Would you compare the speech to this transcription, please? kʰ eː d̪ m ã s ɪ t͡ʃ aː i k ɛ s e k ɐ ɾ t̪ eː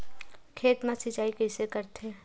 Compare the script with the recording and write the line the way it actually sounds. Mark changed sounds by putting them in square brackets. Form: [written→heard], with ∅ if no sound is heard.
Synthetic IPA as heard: kʰ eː [d̪→t̪] m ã s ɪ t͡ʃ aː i k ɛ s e k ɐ ɾ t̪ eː